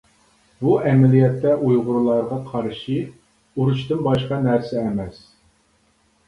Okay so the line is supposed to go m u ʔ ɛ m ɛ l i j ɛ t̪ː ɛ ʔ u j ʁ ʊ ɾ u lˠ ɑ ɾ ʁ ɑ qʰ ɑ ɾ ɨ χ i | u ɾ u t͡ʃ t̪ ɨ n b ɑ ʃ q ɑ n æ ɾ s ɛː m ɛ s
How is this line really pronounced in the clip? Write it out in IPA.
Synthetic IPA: b u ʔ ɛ m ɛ l i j ɛ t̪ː ɛ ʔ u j ʁ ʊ ɾ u lˠ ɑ ɾ ʁ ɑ qʰ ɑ ɾ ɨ ʃ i | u ɾ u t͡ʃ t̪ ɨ n b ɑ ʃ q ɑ n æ ɾ s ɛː m ɛ s